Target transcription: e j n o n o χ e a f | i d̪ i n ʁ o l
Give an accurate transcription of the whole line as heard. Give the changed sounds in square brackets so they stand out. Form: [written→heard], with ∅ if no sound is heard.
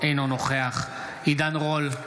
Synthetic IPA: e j n o n o χ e a [f→χ] | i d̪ [i→a] n ʁ o l